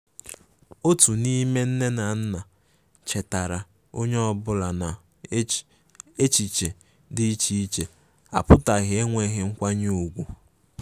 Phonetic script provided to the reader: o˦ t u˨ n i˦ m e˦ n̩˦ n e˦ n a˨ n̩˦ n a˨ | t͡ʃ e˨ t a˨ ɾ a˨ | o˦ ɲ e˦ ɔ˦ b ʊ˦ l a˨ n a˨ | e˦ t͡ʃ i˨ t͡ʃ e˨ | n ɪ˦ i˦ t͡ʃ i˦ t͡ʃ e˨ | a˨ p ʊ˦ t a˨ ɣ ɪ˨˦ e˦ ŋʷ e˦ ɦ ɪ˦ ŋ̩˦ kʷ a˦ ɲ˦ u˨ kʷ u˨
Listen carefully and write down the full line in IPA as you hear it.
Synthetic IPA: o˦ t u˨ n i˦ m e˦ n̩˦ n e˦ n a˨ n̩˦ n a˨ | t͡ʃ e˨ t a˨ ɾ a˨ | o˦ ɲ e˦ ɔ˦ b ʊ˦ l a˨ n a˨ | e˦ t͡ʃ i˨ t͡ʃ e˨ | d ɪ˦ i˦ t͡ʃ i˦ t͡ʃ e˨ | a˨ p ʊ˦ t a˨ ɣ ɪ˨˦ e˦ ŋʷ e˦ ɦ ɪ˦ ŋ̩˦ kʷ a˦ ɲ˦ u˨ ɡʷ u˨